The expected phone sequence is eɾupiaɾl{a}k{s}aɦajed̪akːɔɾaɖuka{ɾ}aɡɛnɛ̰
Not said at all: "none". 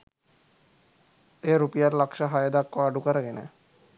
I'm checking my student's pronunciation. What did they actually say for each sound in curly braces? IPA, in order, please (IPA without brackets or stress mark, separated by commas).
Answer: a, ʃ, ɾ